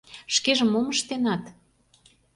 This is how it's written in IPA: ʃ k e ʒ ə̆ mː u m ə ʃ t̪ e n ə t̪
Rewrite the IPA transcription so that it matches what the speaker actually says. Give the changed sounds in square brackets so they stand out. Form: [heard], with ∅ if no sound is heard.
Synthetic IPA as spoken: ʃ k e ʒ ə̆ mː [o] m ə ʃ t̪ e n [ɑ] t̪